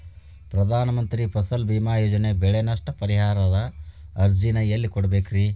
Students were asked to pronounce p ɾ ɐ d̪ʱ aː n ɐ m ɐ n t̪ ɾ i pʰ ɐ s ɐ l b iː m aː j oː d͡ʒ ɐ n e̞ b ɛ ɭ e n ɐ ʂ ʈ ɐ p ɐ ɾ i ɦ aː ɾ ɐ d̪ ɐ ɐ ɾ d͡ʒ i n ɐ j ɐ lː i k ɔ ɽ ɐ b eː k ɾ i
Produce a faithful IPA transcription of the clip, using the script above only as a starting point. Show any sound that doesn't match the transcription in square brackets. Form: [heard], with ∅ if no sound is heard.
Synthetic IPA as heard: p ɾ ɐ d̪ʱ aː n ɐ m ɐ n t̪ ɾ i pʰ ɐ s ɐ l b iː m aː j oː d͡ʒ ɐ n e̞ b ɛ ɭ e n ɐ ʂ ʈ ɐ p ɐ ɾ i ɦ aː ɾ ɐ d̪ ɐ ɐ ɾ d͡ʒ i n ɐ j ɐ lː i k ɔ ɽ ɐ b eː k ɾ i